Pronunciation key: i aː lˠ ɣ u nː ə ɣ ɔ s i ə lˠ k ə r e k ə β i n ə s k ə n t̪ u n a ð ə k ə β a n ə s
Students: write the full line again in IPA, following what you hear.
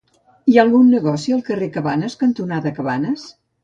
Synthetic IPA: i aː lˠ ɣ u nː ə ɣ ɔ s i ə lˠ k ə r e k ə β a n ə s k ə n t̪ u n a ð ə k ə β a n ə s